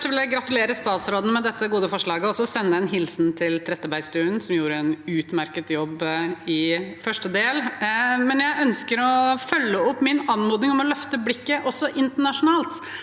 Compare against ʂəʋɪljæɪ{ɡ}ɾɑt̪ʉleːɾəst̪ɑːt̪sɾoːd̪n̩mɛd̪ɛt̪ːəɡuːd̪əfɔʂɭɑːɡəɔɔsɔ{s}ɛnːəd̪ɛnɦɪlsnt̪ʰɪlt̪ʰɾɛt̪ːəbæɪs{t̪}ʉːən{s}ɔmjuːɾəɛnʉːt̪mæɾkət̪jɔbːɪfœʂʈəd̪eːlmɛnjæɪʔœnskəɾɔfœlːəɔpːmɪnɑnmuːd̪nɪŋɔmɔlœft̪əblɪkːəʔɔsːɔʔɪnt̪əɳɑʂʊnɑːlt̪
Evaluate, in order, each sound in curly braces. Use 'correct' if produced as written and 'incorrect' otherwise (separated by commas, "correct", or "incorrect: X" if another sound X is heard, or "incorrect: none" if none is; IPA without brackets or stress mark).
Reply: correct, correct, correct, correct